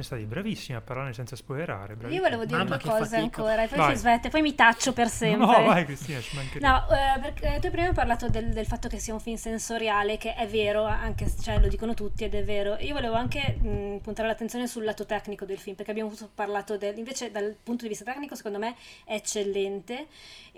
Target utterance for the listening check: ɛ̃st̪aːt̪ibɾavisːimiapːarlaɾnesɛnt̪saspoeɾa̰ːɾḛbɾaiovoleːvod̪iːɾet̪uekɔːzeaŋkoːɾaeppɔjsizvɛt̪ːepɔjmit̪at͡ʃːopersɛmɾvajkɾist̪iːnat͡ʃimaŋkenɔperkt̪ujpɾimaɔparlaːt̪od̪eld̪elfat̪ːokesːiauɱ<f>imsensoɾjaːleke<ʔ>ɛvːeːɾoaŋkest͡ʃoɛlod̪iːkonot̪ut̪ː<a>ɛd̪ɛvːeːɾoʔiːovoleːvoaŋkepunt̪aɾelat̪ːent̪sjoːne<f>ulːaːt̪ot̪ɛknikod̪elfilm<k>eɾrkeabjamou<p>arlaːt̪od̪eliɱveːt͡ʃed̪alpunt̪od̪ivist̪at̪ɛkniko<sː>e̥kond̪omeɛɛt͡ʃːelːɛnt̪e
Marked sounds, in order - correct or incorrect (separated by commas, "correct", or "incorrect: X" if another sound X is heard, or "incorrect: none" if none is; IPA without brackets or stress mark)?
correct, correct, incorrect: i, incorrect: s, incorrect: p, correct, incorrect: s